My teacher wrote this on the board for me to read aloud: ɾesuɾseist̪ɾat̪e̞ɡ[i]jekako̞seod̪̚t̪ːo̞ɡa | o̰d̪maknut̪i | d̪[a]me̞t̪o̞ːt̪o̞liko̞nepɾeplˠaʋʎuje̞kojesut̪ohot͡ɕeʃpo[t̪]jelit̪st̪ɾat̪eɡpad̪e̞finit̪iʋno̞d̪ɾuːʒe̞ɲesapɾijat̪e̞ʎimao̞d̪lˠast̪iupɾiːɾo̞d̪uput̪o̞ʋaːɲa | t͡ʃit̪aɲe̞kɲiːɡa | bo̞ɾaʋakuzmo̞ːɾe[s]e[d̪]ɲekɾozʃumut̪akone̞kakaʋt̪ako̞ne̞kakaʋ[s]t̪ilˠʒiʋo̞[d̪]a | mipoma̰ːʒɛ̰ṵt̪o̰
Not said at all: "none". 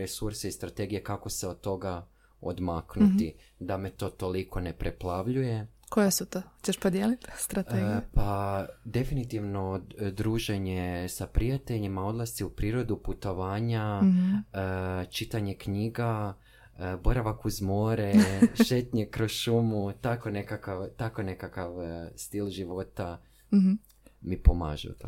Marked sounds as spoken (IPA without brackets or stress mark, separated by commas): i, a, d̪, ʃ, t̪, s, t̪